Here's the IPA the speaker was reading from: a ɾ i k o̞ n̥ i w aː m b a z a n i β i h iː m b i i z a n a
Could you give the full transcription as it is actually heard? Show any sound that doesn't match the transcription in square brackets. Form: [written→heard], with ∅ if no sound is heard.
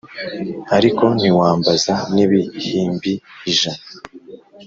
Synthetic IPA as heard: a ɾ i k o̞ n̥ i w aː m b a z a n i β i h iː m b i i [z→ʒ] a n a